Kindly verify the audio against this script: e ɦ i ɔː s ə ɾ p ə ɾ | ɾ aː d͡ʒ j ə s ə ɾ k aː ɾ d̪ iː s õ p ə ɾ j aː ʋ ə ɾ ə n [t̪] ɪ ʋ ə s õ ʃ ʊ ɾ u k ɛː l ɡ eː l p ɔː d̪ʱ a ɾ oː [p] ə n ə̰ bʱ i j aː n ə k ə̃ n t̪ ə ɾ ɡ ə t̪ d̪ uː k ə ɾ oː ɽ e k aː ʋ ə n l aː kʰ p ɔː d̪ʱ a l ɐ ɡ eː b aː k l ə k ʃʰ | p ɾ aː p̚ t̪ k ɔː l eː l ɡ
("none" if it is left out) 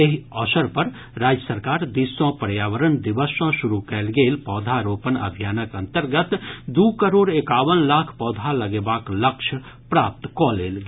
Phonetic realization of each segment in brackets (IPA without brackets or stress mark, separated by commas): d̪, p